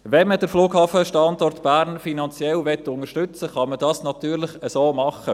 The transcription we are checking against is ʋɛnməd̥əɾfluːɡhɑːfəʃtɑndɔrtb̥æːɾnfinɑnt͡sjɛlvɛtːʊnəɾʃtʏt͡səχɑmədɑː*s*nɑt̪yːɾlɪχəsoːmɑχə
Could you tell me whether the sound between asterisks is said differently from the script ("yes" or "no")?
no